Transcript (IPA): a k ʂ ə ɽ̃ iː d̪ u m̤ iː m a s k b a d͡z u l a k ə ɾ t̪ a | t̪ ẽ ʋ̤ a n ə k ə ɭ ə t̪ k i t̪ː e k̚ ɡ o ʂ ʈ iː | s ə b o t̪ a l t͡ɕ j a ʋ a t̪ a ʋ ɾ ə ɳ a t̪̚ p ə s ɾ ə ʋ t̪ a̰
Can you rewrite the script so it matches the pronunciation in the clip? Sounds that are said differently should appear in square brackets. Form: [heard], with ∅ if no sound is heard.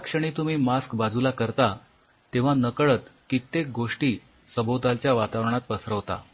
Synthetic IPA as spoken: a k ʂ ə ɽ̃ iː [t̪] u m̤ iː m a s k b a d͡z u l a k ə ɾ t̪ a | t̪ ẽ ʋ̤ a n ə k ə ɭ ə t̪ k i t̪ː e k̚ ɡ o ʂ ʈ iː | s ə b o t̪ a l t͡ɕ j a ʋ a t̪ a ʋ ɾ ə ɳ a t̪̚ p ə s ɾ ə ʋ t̪ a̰